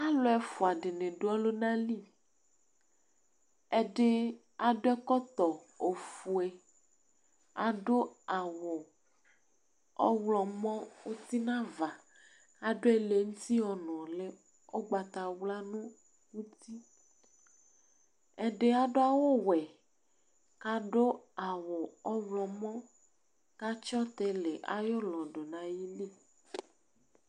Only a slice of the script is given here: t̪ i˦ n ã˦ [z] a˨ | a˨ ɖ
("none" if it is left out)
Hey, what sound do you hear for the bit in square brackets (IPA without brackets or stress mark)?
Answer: v